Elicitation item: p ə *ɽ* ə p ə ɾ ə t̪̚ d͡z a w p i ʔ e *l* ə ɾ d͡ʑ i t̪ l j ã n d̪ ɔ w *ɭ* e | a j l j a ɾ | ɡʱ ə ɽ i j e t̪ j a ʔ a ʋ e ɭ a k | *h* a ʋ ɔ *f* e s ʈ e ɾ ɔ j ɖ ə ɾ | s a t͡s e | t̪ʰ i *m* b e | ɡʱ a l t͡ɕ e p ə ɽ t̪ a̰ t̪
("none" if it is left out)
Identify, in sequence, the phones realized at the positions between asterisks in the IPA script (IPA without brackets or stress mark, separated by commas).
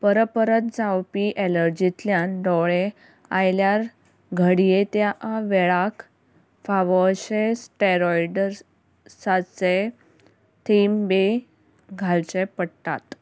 ɾ, l, ɭ, f, ɕ, m